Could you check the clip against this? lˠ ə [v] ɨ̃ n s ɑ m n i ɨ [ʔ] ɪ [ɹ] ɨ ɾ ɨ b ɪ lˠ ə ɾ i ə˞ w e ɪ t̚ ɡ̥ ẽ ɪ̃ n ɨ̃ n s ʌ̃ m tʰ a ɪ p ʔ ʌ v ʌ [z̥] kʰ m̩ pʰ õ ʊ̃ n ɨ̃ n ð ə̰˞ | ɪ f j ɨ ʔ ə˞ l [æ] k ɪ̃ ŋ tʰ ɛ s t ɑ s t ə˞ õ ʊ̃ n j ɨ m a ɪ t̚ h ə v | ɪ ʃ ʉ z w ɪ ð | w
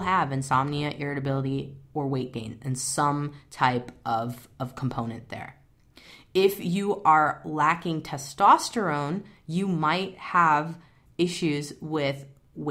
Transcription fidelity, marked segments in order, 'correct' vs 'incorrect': correct, correct, correct, incorrect: v̥, correct

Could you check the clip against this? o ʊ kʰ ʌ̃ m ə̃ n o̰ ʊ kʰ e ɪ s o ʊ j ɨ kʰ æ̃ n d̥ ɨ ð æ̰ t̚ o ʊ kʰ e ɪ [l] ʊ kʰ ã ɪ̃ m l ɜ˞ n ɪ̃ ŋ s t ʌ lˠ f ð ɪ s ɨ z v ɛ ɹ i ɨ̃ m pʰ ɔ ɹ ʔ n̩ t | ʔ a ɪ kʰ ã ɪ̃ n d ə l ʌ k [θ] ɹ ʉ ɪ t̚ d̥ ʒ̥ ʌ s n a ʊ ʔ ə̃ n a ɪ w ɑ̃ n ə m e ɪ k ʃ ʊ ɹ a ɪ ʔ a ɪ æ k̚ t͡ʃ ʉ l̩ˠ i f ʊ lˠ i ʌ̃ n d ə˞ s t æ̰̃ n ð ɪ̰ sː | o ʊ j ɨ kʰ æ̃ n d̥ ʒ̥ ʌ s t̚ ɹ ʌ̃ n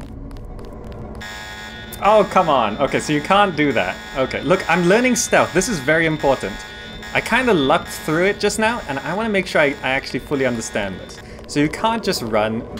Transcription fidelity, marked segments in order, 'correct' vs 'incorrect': correct, correct

